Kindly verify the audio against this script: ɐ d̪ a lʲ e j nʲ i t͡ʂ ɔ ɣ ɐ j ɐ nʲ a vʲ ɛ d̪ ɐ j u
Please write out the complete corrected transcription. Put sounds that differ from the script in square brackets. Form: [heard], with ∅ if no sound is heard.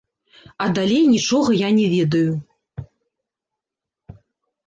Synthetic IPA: ɐ d̪ a lʲ e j nʲ i t͡ʂ ɔ ɣ ɐ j [a] nʲ [ɛ] vʲ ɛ d̪ ɐ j u